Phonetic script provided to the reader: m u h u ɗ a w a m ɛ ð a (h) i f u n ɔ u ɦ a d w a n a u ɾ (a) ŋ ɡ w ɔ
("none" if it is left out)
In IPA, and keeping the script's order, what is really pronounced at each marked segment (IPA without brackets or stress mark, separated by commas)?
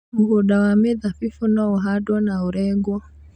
f, ɛ